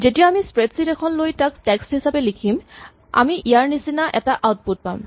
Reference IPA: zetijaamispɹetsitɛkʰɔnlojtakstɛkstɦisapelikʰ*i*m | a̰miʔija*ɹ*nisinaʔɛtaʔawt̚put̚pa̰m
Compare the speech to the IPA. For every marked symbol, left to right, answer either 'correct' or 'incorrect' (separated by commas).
correct, correct